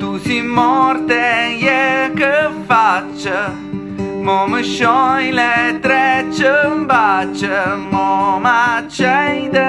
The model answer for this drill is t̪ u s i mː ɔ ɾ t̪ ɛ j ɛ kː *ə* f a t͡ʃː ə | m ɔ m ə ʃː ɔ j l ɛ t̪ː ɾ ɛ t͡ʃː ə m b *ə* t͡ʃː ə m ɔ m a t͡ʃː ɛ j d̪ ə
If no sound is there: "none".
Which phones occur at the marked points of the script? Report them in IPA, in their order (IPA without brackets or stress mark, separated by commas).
ə, a